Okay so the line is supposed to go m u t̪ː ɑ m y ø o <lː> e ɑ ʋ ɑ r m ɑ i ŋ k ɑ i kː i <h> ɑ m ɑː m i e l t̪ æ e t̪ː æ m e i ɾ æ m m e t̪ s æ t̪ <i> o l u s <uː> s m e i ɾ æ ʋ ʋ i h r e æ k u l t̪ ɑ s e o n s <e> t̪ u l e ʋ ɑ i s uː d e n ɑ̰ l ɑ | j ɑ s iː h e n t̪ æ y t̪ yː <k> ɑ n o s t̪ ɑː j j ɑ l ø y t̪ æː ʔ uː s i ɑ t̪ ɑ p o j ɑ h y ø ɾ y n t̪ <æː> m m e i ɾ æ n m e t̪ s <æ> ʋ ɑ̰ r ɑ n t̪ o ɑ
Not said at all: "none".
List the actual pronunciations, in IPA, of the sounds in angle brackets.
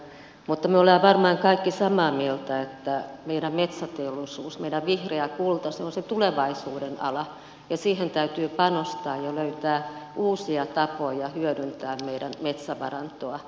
l, s, e, uː, e, p, æː, æ

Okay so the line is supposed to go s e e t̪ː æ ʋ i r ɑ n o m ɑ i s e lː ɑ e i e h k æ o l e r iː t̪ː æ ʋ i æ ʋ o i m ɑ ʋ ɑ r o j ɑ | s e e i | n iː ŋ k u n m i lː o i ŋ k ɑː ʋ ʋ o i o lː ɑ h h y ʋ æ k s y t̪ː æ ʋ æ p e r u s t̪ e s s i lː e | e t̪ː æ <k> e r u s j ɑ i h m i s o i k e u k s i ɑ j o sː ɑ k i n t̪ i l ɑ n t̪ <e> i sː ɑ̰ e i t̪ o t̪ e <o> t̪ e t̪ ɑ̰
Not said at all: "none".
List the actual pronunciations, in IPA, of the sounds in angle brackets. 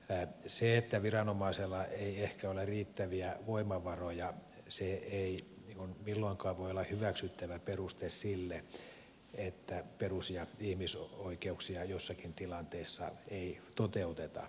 p, e, u

